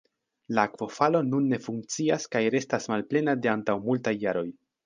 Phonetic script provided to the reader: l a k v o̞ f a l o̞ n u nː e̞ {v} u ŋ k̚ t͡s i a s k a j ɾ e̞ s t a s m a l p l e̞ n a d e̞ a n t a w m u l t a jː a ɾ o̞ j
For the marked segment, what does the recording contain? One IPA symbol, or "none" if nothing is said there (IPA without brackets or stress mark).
f